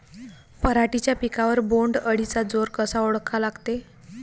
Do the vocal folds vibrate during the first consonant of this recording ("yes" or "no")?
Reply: no